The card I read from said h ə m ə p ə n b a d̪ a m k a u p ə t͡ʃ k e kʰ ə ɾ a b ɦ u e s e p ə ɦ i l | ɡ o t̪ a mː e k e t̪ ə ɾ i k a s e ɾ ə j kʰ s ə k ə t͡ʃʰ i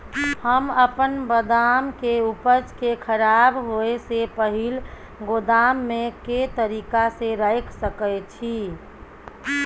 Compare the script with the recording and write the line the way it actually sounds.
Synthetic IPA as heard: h ə m ə p ə n b ə d̪ a m k e u p ə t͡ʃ k e kʰ ə ɾ a b ɦ o e s e p ə ɦ i l | ɡ o d̪ a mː e k e t̪ ə ɾ i k a s e ɾ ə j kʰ s ə k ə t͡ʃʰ i